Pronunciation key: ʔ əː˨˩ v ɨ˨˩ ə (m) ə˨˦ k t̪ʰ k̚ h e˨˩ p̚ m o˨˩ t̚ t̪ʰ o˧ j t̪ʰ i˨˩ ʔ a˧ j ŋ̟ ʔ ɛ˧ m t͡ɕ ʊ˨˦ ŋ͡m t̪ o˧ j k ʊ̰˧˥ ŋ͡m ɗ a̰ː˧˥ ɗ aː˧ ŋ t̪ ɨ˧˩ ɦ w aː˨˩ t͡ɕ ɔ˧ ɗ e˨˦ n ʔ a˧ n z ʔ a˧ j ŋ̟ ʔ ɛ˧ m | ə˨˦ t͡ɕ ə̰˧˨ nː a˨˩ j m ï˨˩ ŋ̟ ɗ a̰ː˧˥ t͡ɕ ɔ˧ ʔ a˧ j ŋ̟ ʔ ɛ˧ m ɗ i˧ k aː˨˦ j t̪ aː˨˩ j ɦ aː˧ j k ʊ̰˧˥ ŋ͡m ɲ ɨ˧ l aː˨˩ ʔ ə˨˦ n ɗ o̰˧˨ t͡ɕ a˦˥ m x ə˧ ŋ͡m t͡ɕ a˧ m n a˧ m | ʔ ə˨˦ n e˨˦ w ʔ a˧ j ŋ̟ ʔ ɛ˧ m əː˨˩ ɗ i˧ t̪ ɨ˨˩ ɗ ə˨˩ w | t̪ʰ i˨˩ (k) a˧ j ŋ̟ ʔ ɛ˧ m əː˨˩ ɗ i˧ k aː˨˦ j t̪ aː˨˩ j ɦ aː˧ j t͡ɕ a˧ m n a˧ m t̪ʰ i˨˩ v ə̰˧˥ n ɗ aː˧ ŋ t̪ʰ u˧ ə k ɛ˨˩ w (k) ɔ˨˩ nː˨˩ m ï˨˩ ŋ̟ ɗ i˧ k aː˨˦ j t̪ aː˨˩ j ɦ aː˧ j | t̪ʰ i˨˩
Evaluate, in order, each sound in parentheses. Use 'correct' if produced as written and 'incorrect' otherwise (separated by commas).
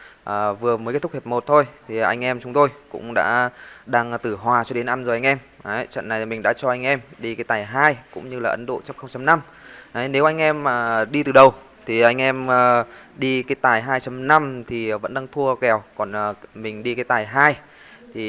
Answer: correct, incorrect, correct